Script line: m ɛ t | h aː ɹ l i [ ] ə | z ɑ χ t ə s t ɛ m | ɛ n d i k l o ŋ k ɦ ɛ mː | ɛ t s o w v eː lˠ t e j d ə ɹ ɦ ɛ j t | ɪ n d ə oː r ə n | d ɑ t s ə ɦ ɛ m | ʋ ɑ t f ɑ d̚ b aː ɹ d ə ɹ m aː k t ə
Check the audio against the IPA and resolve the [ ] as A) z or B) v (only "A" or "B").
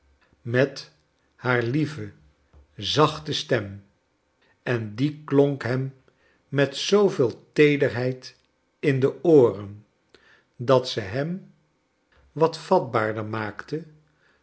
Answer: B